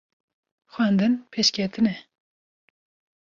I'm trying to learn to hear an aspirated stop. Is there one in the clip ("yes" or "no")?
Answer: yes